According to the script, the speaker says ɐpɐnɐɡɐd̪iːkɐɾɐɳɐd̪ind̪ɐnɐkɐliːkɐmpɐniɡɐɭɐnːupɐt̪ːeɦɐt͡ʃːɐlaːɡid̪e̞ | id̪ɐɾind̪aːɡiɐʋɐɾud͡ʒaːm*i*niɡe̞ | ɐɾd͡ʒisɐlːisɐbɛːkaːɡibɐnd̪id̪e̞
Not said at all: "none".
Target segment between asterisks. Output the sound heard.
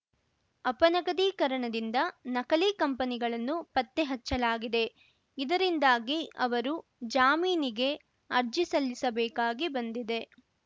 iː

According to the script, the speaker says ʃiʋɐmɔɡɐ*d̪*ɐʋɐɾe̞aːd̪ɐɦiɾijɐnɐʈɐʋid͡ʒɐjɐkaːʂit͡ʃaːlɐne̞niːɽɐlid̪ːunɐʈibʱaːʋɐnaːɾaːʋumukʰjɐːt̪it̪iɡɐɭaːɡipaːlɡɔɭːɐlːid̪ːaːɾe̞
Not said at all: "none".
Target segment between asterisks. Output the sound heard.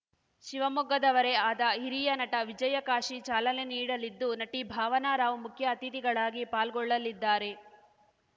d̪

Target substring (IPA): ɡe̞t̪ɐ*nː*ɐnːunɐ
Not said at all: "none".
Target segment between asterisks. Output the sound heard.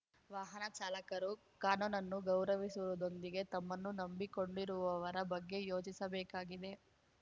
mː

